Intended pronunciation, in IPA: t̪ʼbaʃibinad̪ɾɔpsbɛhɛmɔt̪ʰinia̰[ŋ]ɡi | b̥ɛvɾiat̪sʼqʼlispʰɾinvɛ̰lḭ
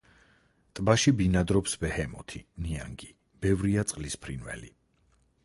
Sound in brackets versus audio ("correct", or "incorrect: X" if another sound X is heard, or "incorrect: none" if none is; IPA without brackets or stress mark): correct